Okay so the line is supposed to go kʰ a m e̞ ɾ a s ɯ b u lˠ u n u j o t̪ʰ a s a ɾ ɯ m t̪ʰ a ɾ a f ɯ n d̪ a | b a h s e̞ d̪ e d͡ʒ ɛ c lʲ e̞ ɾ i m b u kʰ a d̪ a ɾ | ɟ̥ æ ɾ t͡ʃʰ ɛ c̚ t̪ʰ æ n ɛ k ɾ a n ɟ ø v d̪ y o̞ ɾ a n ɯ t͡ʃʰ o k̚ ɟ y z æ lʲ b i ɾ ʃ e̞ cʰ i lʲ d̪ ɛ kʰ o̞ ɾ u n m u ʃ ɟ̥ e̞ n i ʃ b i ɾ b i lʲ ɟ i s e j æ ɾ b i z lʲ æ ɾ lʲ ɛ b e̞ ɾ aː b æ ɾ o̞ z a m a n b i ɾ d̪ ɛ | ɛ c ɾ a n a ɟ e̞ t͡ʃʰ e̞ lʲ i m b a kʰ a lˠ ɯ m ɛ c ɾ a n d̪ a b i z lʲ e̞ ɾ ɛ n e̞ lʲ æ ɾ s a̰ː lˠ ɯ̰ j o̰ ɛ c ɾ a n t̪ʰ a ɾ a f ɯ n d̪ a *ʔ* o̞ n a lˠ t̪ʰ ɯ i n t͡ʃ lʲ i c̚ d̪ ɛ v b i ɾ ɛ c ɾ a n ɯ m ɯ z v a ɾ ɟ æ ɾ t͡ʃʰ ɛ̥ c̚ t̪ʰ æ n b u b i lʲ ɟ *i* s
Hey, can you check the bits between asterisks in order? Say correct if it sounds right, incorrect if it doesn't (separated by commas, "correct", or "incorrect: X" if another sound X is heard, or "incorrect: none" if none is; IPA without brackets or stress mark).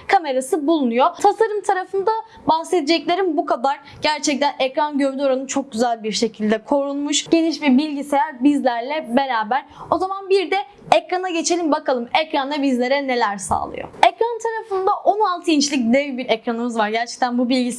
correct, correct